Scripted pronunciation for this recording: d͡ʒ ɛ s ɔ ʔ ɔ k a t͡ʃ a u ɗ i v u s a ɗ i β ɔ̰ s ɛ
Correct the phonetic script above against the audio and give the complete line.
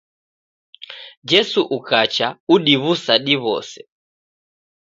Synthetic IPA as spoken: d͡ʒ ɛ s u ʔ u k a t͡ʃ a u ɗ i β u s a ɗ i β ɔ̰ s ɛ